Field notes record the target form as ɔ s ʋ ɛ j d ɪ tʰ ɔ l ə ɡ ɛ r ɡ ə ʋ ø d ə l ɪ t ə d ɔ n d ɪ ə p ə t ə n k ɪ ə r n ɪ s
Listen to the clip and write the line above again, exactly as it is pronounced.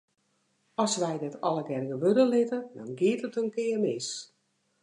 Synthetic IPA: ɔ s ʋ ɛ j d ɪ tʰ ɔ l ə ɡ ɛ r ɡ ə ʋ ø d ə l ɪ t ə d ɔ n ɡ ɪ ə t ə t ə n k ɪ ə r m ɪ s